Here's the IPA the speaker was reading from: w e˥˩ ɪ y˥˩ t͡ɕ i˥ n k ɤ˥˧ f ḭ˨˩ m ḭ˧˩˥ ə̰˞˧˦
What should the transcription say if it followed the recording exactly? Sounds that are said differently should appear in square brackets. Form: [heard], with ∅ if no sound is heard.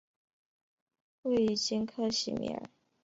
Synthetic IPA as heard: w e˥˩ ɪ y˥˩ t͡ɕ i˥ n [kʰ] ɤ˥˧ [ɕ] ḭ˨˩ m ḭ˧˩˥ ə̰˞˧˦